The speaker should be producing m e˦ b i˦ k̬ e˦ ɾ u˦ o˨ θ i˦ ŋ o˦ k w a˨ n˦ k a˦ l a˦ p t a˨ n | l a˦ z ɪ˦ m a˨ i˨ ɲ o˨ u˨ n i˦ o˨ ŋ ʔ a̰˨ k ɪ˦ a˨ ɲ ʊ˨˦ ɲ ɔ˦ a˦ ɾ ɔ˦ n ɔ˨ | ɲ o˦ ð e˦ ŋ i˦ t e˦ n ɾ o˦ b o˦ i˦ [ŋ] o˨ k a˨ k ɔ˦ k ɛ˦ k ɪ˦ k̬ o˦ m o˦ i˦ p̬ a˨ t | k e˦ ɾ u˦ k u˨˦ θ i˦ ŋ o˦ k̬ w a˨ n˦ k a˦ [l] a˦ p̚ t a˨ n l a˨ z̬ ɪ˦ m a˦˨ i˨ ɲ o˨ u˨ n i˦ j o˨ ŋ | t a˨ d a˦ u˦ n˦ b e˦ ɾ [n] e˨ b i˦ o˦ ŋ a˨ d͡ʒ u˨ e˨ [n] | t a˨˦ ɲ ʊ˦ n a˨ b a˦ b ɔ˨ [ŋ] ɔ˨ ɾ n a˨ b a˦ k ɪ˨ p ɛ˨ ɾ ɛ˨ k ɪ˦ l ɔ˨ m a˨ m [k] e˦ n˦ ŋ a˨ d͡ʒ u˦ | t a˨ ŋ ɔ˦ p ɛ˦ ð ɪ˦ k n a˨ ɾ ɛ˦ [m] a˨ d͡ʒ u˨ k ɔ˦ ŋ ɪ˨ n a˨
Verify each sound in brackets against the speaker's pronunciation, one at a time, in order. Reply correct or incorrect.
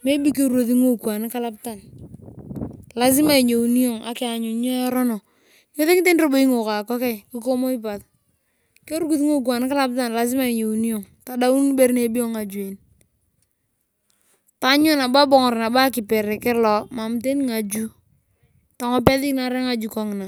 correct, correct, correct, correct, correct, incorrect: t, incorrect: ŋ

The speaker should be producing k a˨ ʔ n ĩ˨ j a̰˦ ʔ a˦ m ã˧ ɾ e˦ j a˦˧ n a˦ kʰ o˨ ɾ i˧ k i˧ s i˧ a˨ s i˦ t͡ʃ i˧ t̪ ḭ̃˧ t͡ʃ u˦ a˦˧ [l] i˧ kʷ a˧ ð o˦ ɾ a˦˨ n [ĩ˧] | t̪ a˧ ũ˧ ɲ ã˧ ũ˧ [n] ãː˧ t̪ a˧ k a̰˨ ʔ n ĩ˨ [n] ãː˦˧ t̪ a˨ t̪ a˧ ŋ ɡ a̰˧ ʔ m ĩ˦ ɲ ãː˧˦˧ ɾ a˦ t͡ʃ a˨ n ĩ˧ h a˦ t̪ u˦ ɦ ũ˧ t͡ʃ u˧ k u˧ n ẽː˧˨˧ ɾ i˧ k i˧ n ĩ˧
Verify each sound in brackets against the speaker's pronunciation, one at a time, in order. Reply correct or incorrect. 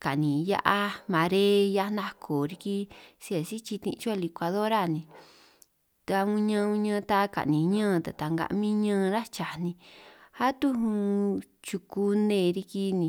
correct, correct, incorrect: ɲ, incorrect: ɲ

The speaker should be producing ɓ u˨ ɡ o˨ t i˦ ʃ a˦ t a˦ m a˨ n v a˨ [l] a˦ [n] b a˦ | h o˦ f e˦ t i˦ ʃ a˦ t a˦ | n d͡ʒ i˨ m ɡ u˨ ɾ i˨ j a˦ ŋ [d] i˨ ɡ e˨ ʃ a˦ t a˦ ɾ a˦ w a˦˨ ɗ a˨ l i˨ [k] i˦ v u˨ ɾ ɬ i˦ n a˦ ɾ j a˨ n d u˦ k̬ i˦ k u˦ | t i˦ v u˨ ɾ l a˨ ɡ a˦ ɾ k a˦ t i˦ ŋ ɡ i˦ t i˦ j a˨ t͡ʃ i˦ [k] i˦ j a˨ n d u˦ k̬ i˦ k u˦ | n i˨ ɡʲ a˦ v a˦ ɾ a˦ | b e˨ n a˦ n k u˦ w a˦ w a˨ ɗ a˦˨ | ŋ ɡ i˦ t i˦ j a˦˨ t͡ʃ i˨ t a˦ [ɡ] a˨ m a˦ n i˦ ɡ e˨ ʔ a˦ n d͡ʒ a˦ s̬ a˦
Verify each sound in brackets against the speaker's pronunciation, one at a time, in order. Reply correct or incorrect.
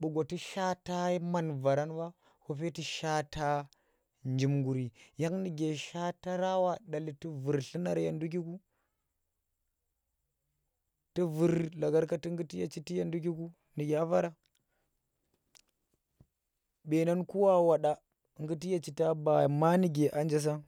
incorrect: ɾ, correct, incorrect: n, incorrect: t, incorrect: t, incorrect: b

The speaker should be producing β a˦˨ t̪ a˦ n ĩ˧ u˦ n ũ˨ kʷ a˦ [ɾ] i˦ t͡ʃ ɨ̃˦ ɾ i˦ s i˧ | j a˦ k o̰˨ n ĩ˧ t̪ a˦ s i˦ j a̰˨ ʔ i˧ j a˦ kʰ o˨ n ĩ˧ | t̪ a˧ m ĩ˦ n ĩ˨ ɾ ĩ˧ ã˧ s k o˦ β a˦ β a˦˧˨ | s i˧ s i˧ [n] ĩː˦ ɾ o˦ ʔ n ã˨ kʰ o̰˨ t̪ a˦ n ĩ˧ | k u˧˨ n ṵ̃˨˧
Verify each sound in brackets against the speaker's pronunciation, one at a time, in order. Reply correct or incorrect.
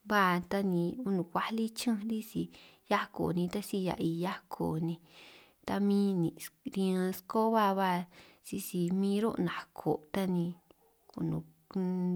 incorrect: l, incorrect: m

